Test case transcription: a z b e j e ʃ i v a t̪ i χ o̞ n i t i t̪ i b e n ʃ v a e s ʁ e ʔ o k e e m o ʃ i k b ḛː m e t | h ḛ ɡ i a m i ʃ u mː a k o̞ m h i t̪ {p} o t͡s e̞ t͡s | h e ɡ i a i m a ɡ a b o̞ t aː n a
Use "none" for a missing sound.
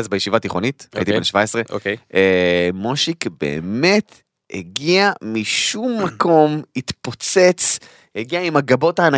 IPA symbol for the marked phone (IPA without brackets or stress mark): p